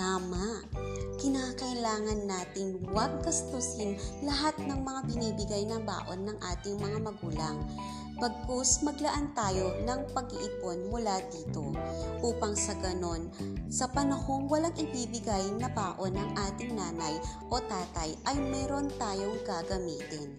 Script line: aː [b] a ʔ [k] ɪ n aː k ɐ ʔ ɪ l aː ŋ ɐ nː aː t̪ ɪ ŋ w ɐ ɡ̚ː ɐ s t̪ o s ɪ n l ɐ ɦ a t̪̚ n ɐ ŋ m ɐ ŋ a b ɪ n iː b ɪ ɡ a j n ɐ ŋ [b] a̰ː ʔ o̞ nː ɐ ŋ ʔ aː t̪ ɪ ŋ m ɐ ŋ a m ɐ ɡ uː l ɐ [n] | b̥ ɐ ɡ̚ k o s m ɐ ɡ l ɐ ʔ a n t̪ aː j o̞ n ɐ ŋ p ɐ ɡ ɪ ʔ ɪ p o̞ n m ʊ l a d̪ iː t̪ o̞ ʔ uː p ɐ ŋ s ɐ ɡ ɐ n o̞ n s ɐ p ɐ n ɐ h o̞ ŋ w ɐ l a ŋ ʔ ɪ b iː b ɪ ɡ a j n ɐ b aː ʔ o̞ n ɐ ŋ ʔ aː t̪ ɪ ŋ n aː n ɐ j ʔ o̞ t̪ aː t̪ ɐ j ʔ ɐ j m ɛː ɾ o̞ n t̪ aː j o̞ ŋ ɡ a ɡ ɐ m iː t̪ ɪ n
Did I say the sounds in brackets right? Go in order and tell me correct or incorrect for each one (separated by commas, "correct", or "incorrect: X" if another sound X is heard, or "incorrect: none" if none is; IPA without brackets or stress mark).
incorrect: m, correct, correct, incorrect: ŋ